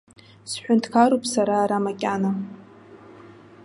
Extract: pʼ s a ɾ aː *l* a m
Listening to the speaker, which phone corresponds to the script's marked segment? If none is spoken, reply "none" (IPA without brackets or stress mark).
ɾ